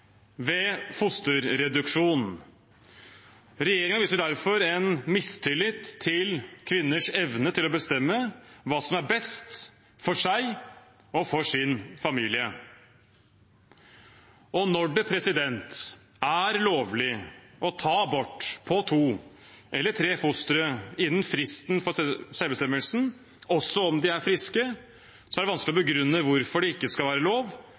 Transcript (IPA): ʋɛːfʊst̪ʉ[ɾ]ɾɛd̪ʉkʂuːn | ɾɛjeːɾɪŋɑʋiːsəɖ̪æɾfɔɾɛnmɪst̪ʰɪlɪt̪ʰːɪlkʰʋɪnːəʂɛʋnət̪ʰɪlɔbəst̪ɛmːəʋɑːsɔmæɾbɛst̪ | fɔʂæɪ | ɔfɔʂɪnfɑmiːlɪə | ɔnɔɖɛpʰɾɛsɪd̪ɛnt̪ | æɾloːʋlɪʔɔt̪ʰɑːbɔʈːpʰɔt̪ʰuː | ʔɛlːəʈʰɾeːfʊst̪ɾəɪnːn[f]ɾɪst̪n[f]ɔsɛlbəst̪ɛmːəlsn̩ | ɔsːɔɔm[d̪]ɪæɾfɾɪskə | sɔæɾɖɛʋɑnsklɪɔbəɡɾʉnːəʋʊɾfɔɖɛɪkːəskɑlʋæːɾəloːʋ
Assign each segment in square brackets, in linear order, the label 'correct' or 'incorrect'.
correct, correct, correct, correct

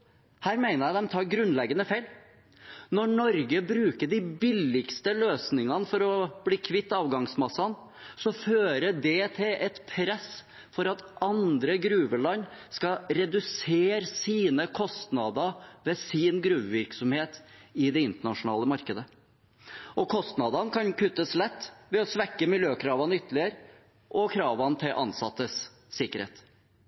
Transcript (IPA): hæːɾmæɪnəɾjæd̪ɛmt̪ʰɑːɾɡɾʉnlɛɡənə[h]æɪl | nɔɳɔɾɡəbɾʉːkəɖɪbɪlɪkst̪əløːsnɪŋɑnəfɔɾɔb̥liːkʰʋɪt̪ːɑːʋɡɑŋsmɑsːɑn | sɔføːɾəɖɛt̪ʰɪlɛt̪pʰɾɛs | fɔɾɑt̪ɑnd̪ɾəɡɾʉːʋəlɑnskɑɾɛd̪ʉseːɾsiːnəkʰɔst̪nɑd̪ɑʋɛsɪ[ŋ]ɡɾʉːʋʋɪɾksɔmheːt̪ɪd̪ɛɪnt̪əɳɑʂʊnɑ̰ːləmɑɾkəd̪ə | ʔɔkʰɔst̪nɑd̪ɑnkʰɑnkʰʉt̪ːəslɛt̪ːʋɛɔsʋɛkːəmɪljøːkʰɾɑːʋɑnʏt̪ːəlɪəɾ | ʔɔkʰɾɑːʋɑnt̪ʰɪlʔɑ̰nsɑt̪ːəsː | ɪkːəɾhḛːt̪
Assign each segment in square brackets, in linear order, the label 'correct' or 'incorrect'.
incorrect: f, incorrect: n

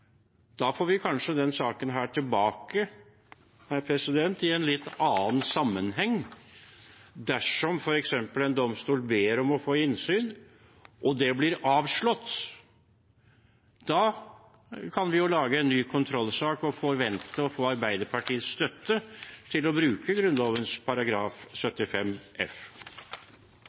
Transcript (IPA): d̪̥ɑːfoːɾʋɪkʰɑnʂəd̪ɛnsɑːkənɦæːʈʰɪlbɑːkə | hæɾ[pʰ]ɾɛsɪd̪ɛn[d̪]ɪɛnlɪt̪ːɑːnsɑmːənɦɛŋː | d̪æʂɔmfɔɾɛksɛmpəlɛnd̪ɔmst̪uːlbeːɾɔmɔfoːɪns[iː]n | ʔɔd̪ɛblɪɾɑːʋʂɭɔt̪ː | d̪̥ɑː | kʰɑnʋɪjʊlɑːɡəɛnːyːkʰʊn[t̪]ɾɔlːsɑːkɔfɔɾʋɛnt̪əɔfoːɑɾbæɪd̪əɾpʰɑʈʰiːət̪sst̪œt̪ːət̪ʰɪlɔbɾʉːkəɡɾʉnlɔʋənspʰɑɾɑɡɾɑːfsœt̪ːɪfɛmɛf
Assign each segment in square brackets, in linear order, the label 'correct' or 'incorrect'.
correct, incorrect: t̪, incorrect: yː, incorrect: t̪ʰ

